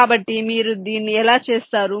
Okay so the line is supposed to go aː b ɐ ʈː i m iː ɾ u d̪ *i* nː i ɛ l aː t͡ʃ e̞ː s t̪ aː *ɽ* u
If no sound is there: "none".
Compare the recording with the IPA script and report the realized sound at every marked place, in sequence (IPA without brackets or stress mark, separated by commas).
iː, ɾ